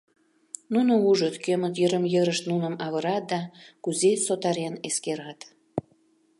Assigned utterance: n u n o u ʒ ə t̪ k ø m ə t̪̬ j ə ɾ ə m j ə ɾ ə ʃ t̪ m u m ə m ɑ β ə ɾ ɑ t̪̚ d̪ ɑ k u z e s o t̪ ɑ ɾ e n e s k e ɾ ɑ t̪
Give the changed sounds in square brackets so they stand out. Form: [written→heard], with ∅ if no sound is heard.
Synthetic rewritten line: n u n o u ʒ ə t̪ k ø m ə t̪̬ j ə ɾ ə m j ə ɾ ə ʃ t̪ [m→n] u [m→n] ə m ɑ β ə ɾ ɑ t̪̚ d̪ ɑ k u z e s o t̪ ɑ ɾ e n e s k e ɾ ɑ t̪